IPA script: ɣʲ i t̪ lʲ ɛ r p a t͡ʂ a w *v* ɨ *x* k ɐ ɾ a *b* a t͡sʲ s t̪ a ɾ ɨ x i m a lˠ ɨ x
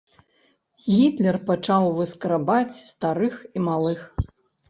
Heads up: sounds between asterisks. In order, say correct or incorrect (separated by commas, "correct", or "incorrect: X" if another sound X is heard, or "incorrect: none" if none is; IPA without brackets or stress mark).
correct, incorrect: s, correct